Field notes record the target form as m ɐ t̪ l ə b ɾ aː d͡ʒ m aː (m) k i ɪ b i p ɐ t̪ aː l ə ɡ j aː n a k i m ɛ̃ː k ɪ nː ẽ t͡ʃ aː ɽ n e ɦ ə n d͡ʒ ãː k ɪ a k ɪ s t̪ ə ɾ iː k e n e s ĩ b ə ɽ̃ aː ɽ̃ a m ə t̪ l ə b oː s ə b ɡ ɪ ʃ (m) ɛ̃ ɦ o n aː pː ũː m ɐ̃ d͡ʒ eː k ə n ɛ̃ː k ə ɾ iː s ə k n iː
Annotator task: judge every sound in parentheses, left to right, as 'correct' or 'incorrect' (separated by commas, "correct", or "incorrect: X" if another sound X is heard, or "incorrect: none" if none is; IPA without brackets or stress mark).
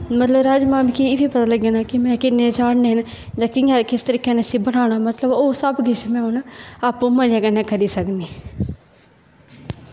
correct, correct